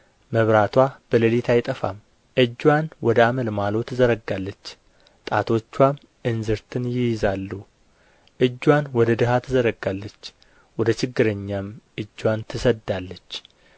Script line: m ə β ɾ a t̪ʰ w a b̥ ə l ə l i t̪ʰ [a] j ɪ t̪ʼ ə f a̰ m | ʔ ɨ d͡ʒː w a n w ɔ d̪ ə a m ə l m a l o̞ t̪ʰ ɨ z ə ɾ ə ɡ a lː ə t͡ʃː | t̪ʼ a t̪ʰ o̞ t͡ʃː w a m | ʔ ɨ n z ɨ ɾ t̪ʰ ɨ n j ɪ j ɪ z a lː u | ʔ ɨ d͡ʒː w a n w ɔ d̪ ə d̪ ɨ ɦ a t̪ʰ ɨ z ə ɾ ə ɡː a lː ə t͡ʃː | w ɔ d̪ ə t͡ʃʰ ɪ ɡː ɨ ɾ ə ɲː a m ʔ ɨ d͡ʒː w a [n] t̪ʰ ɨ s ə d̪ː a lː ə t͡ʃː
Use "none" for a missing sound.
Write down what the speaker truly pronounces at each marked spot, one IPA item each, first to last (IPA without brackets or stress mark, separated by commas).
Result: a, n